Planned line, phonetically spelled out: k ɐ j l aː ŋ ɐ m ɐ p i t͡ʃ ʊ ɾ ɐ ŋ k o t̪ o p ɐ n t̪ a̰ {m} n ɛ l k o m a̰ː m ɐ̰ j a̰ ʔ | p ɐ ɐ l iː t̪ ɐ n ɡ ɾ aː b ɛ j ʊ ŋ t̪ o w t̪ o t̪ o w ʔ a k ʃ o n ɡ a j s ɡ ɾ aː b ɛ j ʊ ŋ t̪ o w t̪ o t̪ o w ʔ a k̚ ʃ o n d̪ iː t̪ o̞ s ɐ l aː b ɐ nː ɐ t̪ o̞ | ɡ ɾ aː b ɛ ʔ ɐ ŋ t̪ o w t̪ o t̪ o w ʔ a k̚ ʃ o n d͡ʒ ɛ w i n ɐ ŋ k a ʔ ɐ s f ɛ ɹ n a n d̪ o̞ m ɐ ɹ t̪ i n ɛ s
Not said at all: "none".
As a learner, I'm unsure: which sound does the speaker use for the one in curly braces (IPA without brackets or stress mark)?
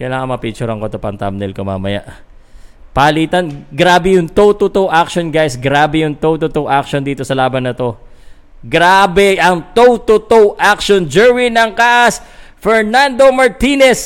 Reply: m